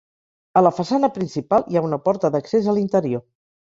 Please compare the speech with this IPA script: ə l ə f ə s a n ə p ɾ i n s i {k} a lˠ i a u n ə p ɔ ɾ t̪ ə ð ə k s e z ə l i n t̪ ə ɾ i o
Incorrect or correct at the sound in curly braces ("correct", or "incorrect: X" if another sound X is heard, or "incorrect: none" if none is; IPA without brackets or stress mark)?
incorrect: p